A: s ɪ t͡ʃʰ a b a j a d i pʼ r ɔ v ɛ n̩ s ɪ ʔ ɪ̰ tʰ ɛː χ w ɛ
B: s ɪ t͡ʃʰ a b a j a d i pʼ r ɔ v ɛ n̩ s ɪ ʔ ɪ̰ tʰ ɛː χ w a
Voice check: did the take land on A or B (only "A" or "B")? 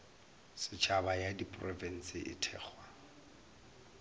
B